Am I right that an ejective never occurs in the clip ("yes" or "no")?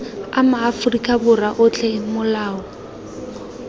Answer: no